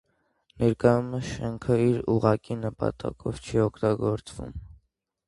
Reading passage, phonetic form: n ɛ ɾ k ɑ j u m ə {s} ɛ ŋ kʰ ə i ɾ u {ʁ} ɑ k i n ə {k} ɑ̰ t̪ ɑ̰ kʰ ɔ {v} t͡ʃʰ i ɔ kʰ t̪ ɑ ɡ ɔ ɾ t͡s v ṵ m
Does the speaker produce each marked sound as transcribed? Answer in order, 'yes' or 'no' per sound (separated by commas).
no, yes, no, yes